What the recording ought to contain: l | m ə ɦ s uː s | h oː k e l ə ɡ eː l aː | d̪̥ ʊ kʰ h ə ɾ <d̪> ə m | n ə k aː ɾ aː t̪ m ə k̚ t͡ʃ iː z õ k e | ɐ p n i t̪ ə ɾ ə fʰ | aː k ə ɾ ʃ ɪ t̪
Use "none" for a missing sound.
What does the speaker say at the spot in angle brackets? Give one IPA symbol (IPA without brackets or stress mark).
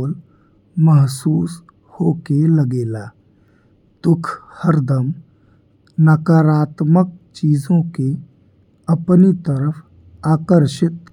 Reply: d̪